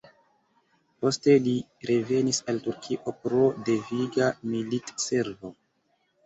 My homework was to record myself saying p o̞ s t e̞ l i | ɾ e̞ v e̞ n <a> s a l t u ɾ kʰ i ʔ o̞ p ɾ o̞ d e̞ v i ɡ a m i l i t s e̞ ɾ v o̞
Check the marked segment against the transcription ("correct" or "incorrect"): incorrect